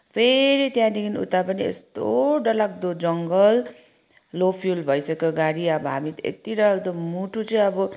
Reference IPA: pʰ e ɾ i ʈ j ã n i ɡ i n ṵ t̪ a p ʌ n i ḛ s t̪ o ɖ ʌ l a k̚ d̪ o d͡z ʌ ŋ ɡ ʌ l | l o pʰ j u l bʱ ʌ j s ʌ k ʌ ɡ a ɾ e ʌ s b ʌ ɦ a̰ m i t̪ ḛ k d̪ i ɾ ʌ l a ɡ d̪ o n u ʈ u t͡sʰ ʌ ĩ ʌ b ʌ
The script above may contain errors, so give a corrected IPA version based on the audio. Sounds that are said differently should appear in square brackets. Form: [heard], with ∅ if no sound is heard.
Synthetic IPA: pʰ e ɾ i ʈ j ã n i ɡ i n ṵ t̪ a p ʌ n i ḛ s t̪ o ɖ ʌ l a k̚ d̪ o d͡z ʌ ŋ ɡ ʌ l | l o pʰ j u l bʱ ʌ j s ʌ k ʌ ɡ a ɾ [i] ʌ [∅] b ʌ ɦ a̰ m i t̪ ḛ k [t̪] i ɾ ʌ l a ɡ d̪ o [m] u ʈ u [t͡s] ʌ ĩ ʌ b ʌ